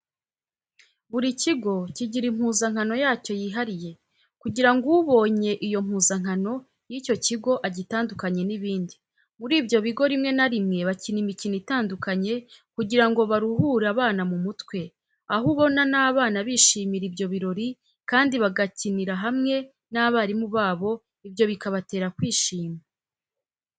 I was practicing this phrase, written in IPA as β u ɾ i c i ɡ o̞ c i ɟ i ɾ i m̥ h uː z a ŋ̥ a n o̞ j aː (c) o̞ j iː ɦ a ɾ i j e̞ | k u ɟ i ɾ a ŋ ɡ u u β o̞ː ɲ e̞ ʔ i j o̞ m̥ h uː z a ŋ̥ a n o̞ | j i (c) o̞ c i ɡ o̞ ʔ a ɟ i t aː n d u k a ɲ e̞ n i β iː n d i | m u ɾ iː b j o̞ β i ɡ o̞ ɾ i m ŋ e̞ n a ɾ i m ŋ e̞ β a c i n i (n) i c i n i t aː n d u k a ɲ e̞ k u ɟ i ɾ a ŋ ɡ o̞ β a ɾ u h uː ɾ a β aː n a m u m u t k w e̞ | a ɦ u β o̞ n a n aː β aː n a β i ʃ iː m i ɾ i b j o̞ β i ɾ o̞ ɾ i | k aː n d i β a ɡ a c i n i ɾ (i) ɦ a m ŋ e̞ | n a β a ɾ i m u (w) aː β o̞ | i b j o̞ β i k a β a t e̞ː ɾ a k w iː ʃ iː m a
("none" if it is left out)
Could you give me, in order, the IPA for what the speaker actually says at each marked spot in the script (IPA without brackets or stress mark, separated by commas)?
c, c, m, a, β